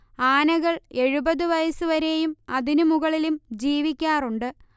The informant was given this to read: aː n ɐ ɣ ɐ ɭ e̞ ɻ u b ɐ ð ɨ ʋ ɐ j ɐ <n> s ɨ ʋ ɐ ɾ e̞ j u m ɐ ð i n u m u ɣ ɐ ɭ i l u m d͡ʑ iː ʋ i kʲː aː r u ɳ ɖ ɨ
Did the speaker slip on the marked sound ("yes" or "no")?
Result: yes